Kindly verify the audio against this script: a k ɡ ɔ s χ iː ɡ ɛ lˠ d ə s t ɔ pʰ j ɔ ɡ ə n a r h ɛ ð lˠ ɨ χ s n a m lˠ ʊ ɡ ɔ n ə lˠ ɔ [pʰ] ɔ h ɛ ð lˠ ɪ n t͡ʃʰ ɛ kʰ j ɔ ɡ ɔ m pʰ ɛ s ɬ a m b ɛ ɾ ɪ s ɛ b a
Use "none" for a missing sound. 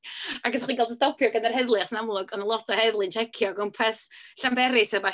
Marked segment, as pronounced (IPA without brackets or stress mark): tʰ